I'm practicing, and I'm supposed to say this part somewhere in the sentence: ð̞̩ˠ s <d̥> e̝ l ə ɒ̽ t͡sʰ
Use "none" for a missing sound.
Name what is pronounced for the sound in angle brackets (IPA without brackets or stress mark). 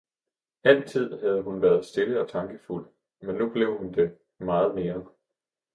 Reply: d̥